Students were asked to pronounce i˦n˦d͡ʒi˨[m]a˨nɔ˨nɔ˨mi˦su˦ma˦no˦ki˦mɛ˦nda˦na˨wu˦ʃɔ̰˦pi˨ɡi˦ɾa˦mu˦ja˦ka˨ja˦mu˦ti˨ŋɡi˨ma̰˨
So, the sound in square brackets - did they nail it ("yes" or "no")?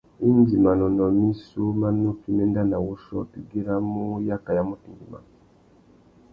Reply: yes